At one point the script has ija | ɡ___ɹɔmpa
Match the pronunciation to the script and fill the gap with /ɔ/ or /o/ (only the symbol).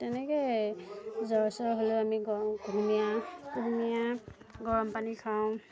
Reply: ɔ